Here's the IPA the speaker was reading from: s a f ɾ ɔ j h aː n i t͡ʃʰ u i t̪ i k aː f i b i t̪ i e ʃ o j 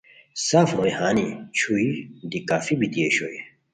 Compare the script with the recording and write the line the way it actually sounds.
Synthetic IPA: s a f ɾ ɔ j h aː n i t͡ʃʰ u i d̪ i k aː f i b i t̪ i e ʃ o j

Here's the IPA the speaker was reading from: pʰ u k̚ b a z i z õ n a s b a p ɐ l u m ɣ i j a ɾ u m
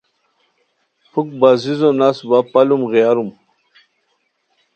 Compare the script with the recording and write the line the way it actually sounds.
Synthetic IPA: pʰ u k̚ b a z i z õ n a s b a p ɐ l u m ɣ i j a ɾ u m

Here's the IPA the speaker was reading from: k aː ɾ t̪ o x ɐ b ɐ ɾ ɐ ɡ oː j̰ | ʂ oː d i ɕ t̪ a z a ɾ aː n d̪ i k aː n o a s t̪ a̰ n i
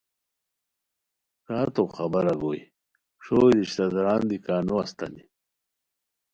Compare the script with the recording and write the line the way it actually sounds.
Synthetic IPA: k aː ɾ t̪ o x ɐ b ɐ ɾ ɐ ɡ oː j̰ | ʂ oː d i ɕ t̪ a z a ɾ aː n d̪ i k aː n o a s t̪ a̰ n i

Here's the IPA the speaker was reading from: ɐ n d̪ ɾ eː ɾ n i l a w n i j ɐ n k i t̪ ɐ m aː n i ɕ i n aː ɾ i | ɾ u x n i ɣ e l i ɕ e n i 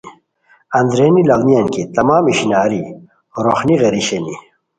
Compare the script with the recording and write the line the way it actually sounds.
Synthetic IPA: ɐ n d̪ ɾ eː n i l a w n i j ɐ n k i t̪ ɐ m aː m i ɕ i n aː ɾ i | ɾ o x n i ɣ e ɾ i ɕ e n i

